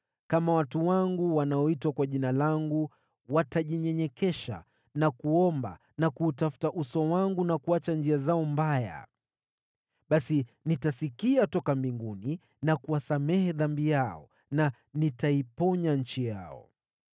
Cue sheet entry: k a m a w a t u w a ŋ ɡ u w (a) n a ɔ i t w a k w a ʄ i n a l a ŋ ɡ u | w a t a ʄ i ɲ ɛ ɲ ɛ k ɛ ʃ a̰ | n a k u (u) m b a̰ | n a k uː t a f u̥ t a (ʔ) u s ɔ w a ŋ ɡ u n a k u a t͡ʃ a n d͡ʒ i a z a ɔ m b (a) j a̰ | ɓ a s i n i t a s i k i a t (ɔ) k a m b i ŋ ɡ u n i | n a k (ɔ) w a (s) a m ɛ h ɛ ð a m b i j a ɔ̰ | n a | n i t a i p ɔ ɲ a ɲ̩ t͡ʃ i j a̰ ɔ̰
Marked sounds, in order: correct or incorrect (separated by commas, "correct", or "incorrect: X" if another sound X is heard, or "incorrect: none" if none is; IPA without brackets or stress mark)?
correct, incorrect: ɔ, correct, correct, correct, incorrect: u, correct